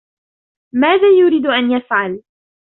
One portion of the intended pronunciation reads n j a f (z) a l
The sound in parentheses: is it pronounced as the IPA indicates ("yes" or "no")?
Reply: no